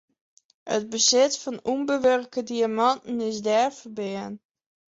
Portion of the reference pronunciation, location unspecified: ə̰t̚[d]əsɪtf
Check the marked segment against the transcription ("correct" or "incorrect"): incorrect